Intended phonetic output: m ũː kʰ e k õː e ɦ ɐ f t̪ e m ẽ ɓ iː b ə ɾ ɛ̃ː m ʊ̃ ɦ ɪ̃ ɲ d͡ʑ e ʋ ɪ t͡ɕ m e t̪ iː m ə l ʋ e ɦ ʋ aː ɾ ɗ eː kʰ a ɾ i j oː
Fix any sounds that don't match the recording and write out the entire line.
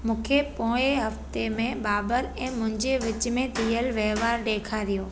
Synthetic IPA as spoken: m ũː kʰ e p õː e ɦ ɐ f t̪ e m ẽ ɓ aː b ə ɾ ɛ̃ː m ʊ̃ ɦ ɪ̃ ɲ d͡ʑ e ʋ ɪ t͡ɕ m ẽ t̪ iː ə l ʋ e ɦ ʋ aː ɾ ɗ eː kʰ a ɾ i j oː